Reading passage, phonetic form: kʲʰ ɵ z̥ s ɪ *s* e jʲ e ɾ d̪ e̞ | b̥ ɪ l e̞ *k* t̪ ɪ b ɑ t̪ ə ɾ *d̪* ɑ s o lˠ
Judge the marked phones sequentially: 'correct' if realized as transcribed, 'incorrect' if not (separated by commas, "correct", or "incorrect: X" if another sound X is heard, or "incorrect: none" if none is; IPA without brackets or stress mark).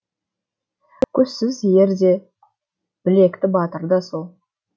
incorrect: z, correct, correct